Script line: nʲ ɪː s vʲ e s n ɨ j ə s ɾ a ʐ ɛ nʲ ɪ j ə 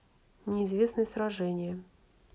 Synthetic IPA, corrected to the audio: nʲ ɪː z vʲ e s n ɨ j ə s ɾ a ʐ ɛ nʲ ɪ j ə